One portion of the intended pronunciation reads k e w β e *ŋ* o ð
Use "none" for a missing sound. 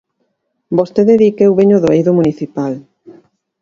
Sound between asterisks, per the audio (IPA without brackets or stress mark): ɲ